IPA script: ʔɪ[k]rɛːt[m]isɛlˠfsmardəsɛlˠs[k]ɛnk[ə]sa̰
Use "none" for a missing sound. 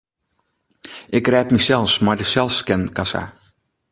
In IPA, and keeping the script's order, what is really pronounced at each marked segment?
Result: k, m, k, a

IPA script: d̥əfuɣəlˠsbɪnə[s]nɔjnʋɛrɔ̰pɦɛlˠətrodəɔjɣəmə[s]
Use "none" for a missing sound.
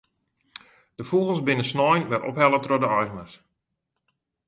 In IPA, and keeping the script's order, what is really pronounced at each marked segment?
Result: s, s

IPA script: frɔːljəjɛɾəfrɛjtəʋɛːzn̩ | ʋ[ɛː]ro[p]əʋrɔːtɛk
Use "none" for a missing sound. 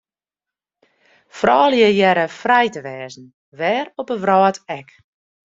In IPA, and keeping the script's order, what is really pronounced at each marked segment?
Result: ɛː, p

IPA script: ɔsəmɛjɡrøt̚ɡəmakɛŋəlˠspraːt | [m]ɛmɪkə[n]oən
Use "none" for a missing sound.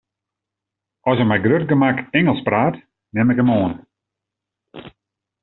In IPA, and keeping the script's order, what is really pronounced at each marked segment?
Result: n, m

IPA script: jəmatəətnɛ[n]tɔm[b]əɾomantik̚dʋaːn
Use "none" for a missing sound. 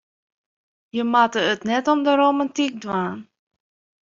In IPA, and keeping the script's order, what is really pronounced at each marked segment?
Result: none, d

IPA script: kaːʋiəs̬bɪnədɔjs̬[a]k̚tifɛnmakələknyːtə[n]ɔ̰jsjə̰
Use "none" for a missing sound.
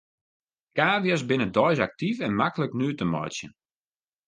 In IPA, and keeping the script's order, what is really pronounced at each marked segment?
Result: a, m

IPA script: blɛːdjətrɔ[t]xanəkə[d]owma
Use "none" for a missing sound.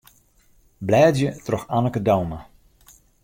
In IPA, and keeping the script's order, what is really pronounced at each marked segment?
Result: none, d

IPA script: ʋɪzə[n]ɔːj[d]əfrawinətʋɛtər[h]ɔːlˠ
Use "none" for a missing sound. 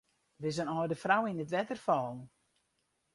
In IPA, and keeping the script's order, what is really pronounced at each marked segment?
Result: n, d, f

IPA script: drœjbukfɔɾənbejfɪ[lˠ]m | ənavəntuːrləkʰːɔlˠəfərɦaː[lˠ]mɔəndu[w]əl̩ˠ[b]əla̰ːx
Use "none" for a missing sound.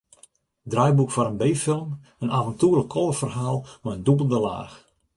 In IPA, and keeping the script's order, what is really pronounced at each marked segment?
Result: lˠ, lˠ, b, d

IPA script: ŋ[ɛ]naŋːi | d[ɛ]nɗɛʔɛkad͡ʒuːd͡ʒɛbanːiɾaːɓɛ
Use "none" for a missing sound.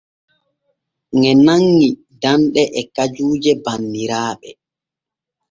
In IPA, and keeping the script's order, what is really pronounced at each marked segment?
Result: ɛ, a

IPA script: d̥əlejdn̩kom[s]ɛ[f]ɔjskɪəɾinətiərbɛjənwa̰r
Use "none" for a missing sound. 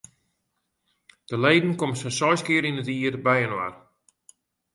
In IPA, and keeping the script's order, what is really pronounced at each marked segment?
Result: s, s

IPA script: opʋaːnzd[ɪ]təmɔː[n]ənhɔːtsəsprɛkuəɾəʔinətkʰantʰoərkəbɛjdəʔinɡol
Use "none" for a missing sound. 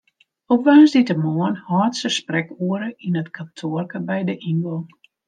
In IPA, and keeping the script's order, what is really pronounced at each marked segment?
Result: i, none

